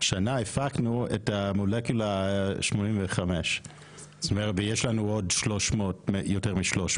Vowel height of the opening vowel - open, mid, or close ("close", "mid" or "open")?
open